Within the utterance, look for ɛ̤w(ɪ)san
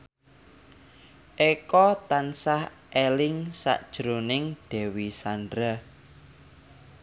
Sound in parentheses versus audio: incorrect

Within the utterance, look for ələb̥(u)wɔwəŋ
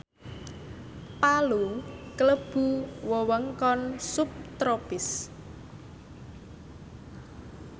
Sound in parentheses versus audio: correct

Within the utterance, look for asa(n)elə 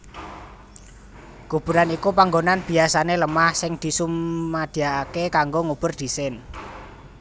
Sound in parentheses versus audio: correct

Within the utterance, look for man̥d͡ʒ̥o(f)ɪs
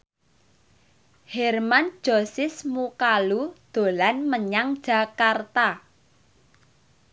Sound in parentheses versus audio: incorrect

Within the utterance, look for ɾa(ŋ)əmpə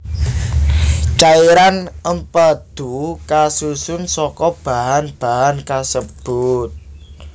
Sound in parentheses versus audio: incorrect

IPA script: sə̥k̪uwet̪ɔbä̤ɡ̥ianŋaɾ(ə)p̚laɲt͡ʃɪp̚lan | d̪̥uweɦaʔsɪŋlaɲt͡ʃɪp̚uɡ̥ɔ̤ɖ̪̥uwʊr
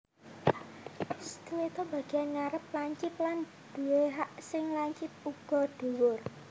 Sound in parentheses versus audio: correct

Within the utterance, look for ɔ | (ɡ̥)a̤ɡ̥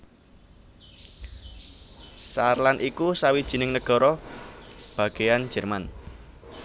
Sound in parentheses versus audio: incorrect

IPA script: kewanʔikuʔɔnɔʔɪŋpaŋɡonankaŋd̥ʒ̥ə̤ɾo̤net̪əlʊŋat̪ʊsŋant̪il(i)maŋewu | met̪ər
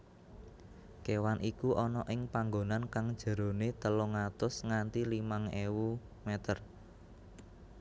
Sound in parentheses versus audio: correct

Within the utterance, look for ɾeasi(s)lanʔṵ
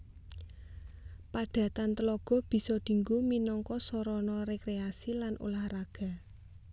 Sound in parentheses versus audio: incorrect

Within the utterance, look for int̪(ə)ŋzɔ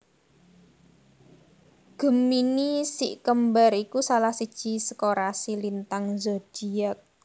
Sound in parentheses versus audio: incorrect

